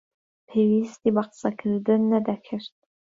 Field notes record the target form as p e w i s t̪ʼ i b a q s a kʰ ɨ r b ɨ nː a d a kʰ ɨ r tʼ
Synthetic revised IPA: pʰ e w i s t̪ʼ i b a q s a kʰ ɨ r d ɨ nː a d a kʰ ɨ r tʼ